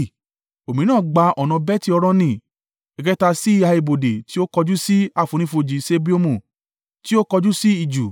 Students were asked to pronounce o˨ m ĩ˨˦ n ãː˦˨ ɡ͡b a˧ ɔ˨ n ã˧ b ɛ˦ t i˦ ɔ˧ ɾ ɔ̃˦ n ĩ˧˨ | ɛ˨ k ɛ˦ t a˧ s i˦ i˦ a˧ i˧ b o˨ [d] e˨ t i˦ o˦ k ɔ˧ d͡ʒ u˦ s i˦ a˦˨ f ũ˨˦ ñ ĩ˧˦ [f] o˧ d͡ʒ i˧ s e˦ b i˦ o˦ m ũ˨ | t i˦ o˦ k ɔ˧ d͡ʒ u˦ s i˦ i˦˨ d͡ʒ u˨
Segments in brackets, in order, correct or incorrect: correct, correct

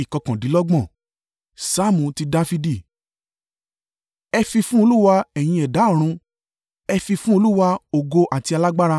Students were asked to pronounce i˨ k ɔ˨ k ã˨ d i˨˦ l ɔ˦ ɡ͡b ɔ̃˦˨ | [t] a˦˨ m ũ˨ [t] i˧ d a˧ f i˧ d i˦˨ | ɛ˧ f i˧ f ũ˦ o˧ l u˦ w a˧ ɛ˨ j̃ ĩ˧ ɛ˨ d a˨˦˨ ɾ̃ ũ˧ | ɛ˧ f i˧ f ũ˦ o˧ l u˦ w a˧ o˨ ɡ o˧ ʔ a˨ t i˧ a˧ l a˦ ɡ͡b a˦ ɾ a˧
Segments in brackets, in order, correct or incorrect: incorrect, correct

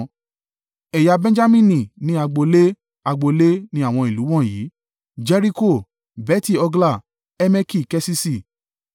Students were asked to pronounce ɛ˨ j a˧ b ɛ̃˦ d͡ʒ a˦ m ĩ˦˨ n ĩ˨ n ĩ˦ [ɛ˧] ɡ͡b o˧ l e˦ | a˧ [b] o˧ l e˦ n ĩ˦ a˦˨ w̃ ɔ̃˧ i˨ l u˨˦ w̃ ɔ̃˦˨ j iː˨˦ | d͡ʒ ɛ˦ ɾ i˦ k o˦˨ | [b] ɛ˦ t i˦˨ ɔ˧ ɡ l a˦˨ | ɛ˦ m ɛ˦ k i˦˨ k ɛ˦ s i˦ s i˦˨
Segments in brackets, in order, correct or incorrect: incorrect, incorrect, correct

